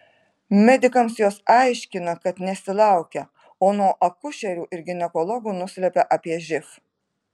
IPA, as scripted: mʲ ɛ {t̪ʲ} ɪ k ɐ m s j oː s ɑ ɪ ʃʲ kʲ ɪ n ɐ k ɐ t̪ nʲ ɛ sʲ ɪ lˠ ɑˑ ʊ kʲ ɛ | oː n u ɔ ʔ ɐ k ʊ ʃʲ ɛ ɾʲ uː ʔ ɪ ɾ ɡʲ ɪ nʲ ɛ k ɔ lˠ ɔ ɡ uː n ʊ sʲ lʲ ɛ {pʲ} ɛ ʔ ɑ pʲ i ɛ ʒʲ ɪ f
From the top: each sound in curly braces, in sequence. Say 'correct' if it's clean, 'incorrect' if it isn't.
incorrect: d̪ʲ, correct

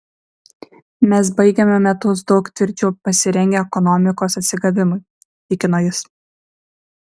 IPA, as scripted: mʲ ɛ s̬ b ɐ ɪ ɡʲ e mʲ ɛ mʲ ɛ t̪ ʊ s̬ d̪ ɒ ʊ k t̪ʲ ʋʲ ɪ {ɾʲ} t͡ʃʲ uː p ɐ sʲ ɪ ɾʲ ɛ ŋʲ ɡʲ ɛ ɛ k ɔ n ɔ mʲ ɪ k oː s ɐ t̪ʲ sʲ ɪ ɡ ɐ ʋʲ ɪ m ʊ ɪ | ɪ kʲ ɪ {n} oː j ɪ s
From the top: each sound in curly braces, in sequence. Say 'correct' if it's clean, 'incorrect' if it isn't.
correct, correct

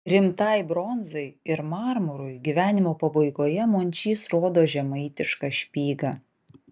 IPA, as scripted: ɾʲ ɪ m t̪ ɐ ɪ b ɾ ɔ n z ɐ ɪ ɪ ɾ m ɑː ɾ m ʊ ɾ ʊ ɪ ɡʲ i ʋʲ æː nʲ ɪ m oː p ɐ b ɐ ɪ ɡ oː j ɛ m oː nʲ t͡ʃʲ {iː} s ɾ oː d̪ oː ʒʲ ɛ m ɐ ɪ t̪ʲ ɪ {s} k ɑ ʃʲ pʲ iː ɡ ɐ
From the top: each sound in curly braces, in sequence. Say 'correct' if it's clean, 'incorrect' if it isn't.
correct, incorrect: ʃ

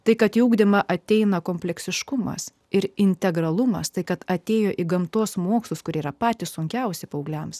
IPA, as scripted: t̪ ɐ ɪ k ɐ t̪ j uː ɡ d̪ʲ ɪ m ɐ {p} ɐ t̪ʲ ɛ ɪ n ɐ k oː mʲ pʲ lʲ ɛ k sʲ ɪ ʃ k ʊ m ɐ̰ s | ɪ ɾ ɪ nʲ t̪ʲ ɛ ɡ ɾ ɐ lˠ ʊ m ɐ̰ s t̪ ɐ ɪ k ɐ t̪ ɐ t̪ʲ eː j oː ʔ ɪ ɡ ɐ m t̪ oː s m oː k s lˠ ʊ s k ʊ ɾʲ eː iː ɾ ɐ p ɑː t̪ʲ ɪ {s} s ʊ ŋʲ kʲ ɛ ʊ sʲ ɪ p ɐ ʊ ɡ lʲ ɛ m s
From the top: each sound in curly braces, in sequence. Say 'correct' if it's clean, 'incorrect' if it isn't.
incorrect: ʔ, correct

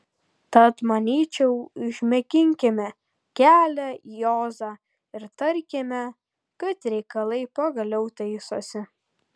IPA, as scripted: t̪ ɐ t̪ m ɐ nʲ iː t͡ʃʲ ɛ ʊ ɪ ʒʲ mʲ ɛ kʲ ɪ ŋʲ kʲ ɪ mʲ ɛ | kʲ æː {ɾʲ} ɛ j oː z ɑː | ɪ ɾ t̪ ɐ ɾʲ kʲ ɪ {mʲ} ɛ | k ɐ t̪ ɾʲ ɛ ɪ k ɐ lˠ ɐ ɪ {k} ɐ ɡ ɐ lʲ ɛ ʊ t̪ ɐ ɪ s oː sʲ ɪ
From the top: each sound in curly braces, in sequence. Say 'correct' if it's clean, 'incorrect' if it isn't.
incorrect: lʲ, correct, incorrect: p

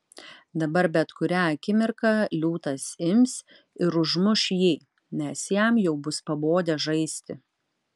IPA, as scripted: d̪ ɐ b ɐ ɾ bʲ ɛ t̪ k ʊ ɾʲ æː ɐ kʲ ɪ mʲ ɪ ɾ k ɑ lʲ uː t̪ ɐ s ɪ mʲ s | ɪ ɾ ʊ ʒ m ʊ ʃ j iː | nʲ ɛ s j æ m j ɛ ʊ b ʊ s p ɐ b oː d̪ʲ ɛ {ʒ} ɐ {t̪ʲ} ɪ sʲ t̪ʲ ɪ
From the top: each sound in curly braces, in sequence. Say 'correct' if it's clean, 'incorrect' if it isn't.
correct, incorrect: none

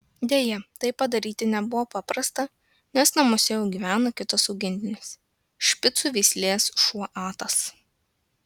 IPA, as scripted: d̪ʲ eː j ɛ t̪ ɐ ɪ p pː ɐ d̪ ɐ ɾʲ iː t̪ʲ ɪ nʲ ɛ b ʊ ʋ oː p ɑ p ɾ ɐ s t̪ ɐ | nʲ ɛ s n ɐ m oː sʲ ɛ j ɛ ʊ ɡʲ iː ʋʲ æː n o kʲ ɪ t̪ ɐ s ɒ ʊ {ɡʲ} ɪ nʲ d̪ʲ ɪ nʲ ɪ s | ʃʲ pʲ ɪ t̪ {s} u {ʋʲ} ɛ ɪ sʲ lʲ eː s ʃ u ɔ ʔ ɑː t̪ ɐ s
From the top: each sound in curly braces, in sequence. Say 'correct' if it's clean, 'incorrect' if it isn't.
correct, correct, correct

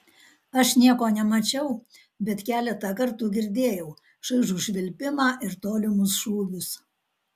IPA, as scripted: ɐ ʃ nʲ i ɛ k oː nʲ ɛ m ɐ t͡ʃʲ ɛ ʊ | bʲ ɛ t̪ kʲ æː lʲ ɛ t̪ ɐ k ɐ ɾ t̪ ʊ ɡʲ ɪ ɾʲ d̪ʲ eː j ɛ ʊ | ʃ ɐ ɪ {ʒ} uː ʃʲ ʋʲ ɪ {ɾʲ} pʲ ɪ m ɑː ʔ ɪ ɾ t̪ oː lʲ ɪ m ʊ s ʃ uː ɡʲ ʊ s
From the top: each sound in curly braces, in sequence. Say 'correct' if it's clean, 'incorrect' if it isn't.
correct, incorrect: lʲ

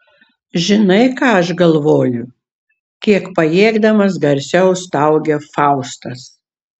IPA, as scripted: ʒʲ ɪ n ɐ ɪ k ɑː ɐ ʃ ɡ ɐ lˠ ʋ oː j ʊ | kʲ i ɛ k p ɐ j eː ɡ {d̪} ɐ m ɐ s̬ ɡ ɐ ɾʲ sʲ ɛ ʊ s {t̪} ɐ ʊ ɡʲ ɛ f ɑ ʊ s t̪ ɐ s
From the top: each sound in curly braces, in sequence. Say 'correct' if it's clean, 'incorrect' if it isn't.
correct, correct

